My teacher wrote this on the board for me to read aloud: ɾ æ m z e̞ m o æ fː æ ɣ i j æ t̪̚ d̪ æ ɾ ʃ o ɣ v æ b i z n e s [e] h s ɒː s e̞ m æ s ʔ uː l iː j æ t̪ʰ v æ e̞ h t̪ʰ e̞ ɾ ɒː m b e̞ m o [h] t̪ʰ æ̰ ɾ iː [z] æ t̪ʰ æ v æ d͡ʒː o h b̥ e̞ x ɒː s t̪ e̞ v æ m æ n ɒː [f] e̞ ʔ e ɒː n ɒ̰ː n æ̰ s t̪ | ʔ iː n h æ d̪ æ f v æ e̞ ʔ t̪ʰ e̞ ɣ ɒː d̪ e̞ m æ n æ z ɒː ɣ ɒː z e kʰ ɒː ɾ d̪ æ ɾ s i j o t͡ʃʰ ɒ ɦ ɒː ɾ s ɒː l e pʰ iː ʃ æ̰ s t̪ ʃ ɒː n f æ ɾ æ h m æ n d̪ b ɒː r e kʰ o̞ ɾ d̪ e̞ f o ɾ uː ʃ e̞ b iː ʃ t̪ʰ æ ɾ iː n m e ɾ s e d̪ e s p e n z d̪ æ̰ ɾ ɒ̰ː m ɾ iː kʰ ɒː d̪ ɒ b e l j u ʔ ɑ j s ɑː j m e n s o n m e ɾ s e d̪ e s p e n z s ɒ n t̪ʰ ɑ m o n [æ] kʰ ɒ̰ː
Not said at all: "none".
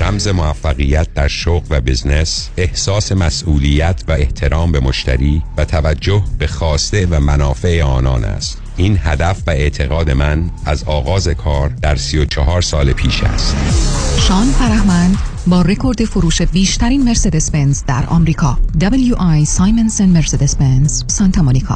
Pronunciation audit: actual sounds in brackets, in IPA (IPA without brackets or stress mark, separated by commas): e, ʃ, v, f, i